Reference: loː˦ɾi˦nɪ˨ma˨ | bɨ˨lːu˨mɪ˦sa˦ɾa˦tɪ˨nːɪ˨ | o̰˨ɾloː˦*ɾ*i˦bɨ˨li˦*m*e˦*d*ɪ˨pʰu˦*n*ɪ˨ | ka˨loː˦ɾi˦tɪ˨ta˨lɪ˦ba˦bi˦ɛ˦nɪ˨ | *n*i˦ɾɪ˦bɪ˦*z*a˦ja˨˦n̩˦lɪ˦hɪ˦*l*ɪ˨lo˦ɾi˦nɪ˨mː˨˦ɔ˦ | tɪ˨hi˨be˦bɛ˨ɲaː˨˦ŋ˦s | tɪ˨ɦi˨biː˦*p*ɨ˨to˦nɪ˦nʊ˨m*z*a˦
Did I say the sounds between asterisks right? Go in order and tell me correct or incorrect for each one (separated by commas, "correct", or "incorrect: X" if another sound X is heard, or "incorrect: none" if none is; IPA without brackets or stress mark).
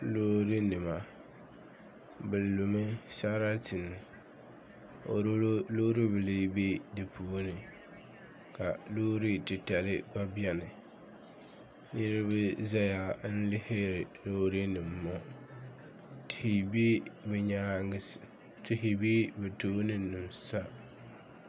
correct, incorrect: b, correct, correct, correct, correct, incorrect: ɾ, incorrect: b, incorrect: s